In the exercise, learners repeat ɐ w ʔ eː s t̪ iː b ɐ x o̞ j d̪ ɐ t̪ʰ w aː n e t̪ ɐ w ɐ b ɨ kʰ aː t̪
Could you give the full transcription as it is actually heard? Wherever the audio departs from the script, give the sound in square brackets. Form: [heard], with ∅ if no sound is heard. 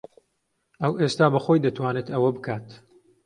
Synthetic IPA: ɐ w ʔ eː s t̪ [aː] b ɐ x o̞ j d̪ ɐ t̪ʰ w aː n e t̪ ɐ w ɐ b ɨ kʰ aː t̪

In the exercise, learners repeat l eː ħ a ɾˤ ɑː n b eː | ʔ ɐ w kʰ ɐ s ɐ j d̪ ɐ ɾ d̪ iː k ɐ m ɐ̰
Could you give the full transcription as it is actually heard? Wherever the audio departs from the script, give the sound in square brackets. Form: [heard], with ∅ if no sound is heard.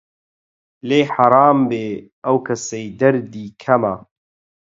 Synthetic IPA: l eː ħ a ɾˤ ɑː [m] b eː | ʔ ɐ w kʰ ɐ s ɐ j d̪ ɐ ɾ d̪ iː [kʰ] ɐ m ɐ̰

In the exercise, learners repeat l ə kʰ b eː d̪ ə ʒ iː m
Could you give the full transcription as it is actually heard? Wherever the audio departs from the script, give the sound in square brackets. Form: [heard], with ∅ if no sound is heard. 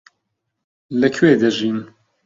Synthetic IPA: l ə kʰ [w] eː d̪ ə ʒ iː [n]

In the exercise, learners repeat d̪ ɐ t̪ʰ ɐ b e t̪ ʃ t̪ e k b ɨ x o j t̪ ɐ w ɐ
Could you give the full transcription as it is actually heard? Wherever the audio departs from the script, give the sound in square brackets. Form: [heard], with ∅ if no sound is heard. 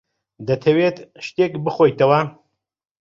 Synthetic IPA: d̪ ɐ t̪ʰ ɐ [w] e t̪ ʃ t̪ e k b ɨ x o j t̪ ɐ w ɐ

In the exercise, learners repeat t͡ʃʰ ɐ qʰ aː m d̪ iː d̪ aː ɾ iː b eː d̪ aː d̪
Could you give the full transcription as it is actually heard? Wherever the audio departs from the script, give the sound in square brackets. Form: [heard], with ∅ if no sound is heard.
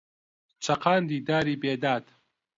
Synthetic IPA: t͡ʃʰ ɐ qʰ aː [n] d̪ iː d̪ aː ɾ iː b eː d̪ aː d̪

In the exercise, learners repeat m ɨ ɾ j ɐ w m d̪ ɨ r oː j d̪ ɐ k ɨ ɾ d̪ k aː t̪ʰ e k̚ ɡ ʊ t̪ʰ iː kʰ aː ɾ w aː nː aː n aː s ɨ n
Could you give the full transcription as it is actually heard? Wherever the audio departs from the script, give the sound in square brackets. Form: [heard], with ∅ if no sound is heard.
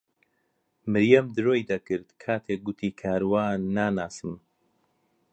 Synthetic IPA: m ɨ ɾ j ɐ [∅] m d̪ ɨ [ɾ] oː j d̪ ɐ k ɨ ɾ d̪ [kʰ] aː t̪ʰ e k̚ ɡ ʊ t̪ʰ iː kʰ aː ɾ w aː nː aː n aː s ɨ [m]

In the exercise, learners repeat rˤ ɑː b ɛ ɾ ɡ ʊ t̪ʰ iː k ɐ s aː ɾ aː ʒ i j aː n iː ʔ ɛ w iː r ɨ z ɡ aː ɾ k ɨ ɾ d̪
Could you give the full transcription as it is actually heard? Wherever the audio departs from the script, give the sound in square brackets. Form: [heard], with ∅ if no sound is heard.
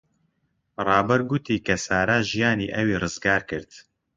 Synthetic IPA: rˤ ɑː b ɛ ɾ ɡ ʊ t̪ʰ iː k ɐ s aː ɾ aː ʒ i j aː n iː ʔ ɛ w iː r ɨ z ɡ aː ɾ k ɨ ɾ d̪

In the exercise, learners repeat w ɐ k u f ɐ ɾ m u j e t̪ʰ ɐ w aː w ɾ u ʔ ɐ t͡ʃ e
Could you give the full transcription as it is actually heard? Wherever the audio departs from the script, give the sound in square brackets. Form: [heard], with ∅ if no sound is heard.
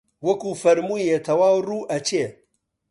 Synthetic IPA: w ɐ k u f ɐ ɾ m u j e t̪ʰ ɐ w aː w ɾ u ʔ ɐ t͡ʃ e

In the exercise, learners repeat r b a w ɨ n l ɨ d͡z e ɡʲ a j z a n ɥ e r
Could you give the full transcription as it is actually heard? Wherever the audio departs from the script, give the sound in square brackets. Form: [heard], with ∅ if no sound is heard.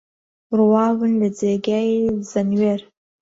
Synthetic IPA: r [w] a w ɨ n l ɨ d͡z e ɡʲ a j z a n ɥ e r

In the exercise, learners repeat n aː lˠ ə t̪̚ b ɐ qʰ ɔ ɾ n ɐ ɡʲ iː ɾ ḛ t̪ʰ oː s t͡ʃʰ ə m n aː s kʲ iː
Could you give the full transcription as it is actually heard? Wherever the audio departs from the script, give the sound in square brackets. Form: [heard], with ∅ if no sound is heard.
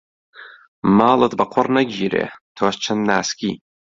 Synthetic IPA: [m] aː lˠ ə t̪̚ b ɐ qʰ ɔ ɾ n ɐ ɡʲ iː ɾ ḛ t̪ʰ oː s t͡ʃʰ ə [n] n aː s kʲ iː

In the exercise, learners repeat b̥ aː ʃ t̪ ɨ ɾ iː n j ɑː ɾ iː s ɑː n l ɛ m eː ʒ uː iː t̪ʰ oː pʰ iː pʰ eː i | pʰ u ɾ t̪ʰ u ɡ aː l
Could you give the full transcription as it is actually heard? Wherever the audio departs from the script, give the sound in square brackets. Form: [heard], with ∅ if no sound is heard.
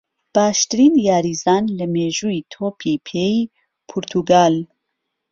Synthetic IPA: b̥ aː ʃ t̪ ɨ ɾ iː n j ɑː ɾ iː [z] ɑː n l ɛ m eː ʒ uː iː t̪ʰ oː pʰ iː pʰ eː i | pʰ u ɾ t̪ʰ u ɡ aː l

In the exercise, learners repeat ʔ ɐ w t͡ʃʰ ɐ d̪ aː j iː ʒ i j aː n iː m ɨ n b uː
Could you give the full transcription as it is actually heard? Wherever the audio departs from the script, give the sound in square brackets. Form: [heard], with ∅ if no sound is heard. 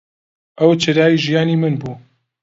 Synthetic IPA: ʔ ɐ w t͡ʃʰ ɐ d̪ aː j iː ʒ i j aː n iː m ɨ n b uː

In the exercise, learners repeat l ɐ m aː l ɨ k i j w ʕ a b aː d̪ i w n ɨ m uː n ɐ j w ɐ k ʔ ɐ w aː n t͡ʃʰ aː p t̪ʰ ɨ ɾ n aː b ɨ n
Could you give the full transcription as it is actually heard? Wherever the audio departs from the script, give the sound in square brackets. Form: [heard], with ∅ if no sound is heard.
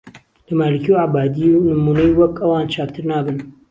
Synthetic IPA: l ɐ m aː l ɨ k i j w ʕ a b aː d̪ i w n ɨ m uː n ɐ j w ɐ k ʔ ɐ w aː n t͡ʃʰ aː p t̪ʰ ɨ ɾ n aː b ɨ n

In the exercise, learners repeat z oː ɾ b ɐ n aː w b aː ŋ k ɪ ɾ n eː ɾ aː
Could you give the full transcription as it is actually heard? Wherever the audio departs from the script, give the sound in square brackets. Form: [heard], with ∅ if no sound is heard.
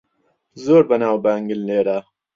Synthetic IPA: z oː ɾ b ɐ n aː w b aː ŋ [ɡ] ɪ [l] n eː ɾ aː

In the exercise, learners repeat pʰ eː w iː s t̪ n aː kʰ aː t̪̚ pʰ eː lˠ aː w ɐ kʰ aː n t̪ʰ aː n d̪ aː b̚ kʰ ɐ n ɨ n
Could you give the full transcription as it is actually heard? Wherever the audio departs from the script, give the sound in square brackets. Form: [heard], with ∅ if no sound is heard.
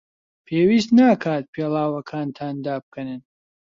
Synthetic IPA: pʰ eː w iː s t̪ n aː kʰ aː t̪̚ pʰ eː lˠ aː w ɐ kʰ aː n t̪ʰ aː n d̪ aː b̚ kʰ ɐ n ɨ n

